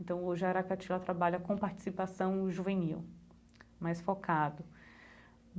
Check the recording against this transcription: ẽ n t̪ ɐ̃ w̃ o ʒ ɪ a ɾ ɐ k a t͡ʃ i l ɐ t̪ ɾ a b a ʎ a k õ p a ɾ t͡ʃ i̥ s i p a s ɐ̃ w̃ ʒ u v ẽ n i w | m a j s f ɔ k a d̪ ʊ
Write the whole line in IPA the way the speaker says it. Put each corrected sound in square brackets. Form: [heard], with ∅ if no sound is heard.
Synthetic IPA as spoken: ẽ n t̪ ɐ̃ w̃ o ʒ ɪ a ɾ [a] k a t͡ʃ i l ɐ t̪ ɾ a b a ʎ [ɐ] k õ p a ɾ t͡ʃ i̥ s i p a s ɐ̃ w̃ ʒ u v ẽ n i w | m a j s f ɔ k a d̪ ʊ